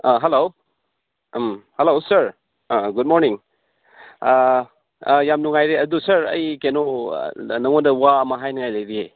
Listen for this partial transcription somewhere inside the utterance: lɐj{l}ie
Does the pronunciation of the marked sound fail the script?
yes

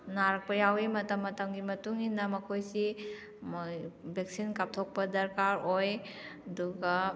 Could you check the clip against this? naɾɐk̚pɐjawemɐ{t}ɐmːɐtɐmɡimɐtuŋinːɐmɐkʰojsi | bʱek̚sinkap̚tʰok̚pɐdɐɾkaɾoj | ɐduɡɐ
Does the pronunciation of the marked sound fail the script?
no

